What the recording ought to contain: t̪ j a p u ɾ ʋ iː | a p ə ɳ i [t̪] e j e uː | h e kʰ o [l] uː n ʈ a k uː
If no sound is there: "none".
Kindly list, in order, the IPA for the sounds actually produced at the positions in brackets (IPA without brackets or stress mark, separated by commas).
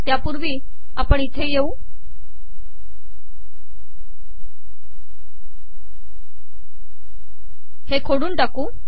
t̪ʰ, ɽ